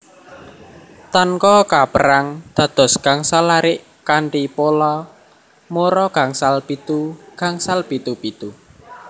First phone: t̪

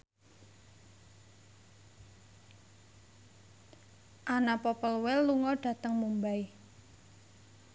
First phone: ʔ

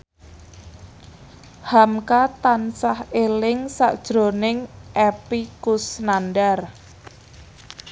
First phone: h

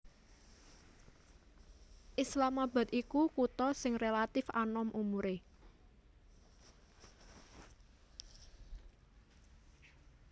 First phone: ʔ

